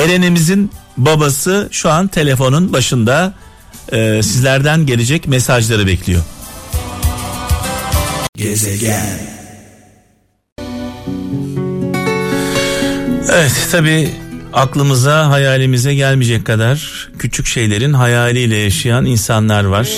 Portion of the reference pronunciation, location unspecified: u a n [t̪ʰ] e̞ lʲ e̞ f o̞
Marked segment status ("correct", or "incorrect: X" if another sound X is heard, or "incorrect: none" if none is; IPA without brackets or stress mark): correct